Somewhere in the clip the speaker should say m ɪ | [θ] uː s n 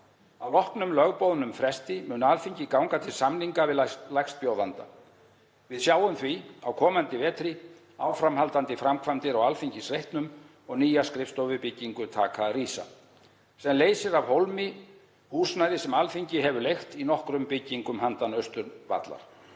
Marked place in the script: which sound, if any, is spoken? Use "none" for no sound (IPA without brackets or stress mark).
h